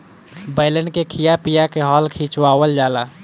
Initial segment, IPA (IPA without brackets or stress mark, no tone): b